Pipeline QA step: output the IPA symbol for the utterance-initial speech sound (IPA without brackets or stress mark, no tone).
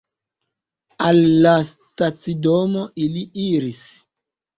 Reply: a